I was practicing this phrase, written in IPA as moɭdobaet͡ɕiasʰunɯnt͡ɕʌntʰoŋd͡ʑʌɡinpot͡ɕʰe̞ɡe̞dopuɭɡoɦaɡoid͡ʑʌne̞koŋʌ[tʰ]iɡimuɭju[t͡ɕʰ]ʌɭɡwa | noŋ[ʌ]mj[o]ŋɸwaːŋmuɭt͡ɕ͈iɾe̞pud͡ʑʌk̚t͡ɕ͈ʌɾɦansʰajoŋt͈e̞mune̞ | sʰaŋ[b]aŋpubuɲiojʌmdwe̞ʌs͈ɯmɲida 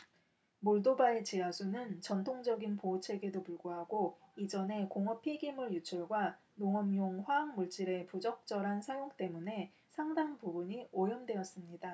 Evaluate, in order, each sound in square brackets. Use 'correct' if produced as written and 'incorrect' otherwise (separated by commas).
incorrect, correct, correct, correct, incorrect